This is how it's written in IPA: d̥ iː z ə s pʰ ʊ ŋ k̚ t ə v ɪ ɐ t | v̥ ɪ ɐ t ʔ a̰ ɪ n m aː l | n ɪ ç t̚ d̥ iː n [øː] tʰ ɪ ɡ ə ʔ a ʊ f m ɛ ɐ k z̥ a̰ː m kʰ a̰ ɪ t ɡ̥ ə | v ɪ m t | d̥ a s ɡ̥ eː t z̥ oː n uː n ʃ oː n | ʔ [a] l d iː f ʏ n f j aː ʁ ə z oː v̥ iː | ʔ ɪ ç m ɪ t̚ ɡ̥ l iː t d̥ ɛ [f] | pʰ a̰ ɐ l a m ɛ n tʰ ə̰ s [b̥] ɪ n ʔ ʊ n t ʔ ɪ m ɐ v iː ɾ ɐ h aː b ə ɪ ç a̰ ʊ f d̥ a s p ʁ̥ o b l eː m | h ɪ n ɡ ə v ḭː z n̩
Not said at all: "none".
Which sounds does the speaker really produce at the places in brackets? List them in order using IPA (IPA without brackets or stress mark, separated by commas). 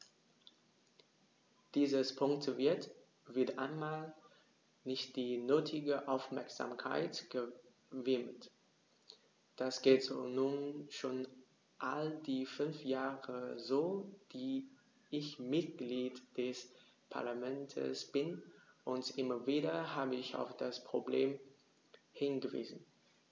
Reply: øː, a, s, b̥